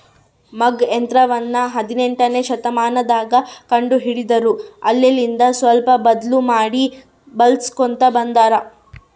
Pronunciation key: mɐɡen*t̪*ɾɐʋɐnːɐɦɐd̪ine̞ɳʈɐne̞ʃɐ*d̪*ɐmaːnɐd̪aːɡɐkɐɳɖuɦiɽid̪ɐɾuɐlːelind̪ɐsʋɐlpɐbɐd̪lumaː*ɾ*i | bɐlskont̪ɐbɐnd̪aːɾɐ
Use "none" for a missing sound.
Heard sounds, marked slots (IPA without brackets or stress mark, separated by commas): t̪, t̪, ɽ